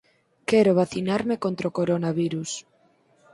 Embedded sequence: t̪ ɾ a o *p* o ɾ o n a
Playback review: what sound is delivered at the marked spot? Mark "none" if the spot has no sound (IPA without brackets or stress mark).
k